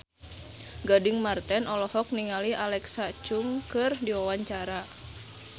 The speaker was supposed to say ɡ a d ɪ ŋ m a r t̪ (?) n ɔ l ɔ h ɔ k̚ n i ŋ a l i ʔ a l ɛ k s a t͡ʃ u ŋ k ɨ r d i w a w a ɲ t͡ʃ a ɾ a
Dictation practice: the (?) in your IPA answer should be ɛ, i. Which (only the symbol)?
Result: ɛ